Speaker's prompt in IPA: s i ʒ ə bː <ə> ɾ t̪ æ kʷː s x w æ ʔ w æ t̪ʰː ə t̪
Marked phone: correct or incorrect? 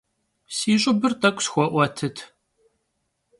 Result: correct